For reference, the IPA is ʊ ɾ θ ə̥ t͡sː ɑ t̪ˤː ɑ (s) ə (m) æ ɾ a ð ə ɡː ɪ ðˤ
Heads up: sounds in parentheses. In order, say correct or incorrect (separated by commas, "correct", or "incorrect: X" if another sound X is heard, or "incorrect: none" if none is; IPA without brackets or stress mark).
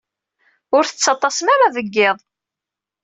correct, correct